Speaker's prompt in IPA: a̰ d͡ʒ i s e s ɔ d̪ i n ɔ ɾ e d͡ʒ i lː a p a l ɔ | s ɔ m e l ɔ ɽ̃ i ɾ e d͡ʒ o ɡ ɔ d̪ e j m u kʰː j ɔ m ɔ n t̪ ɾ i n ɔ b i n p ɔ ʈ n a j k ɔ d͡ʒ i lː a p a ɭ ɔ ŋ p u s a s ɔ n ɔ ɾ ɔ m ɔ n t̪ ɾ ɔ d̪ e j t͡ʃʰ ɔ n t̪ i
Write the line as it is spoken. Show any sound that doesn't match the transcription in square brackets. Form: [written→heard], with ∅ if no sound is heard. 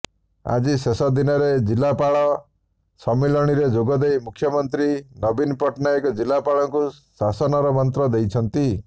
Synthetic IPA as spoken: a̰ d͡ʒ i s e s ɔ d̪ i n ɔ ɾ e d͡ʒ i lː a p a [l→ɭ] ɔ | s ɔ m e l ɔ ɽ̃ i ɾ e d͡ʒ o ɡ ɔ d̪ e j m u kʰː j ɔ m ɔ n t̪ ɾ i n ɔ b i n p ɔ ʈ n a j k ɔ d͡ʒ i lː a p a ɭ ɔ ŋ [p→k] u s a s ɔ n ɔ ɾ ɔ m ɔ n t̪ ɾ ɔ d̪ e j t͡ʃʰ ɔ n t̪ i